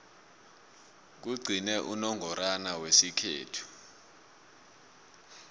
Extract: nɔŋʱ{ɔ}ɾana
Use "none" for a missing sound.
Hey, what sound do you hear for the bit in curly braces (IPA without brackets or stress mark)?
ɔ